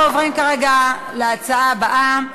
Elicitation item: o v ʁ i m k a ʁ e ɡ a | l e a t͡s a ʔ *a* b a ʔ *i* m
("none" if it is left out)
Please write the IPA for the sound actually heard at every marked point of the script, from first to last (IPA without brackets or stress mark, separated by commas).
a, a